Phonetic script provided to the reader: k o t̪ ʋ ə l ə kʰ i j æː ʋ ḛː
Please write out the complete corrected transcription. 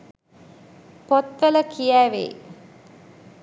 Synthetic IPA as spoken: p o t̪ ʋ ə l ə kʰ i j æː ʋ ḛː